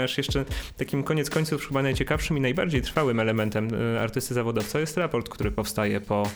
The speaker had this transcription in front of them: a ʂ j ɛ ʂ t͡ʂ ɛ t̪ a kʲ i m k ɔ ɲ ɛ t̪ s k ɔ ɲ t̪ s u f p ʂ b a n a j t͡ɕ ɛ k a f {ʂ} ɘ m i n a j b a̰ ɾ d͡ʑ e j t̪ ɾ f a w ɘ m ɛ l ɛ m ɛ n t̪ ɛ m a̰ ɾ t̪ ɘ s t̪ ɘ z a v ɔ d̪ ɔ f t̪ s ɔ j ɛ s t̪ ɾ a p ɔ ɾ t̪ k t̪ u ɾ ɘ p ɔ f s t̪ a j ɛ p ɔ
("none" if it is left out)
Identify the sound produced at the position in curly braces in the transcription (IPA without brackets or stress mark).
ʂ